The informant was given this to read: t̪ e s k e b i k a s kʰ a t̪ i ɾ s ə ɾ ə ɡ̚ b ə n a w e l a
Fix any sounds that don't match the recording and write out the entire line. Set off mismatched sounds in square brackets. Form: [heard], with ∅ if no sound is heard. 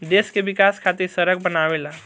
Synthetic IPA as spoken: [d̪] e s k e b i k a s kʰ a t̪ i ɾ s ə ɾ ə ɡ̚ b ə n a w e l a